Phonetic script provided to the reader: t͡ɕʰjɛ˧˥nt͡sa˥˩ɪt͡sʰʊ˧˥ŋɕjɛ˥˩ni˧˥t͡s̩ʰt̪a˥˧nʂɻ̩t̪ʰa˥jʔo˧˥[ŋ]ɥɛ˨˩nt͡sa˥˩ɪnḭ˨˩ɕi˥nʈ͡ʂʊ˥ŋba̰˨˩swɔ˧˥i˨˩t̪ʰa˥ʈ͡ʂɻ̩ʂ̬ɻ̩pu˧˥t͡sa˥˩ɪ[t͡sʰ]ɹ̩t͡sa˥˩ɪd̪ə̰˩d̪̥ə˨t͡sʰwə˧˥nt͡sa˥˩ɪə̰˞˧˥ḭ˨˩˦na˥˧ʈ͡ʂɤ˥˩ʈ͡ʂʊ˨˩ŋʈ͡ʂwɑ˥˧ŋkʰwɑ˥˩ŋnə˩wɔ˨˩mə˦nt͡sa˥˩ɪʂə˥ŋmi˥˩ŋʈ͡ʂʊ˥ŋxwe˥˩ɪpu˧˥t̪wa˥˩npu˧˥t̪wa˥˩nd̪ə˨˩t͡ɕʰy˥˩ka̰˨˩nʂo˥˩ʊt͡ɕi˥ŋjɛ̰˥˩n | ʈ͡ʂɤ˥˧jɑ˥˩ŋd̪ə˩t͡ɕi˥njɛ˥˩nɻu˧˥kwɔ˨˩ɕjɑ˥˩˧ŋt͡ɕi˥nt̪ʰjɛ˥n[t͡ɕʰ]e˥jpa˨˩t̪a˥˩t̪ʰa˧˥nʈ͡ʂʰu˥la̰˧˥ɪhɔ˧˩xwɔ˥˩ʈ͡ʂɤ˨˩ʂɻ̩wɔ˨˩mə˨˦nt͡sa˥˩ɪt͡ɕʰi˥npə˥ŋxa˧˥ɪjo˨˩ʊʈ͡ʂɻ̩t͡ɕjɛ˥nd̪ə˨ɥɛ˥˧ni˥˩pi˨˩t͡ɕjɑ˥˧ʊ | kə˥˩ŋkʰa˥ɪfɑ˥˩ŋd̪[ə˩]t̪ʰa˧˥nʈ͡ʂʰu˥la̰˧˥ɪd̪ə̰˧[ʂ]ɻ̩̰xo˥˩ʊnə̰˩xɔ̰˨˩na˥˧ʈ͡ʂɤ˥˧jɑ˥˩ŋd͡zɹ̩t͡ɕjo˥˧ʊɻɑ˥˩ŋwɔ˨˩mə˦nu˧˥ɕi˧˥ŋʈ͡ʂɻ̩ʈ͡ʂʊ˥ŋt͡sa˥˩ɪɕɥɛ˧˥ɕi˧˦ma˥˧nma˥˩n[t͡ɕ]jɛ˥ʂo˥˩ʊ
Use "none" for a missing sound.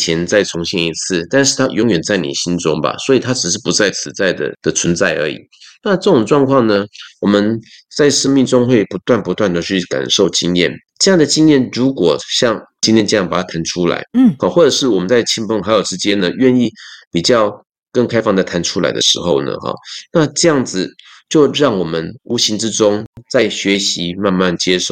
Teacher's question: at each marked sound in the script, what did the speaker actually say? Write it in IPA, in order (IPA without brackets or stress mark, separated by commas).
ŋ, t͡sʰ, t͡ɕ, ə˩, ʂ, t͡ɕ